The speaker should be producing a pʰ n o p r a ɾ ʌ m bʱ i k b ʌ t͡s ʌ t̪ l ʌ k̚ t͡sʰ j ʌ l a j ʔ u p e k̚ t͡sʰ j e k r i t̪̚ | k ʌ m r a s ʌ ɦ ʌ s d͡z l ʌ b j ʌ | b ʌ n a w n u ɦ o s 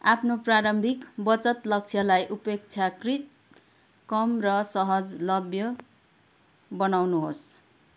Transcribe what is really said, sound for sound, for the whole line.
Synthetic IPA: a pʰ n o p r a ɾ ʌ m bʱ i k b ʌ t͡s ʌ t̪ l ʌ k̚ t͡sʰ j ʌ l a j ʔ u p e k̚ t͡sʰ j a k r i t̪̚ | k ʌ m r ʌ s ʌ ɦ ʌ d͡z l ʌ b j ʌ | b ʌ n a w n u ɦ o s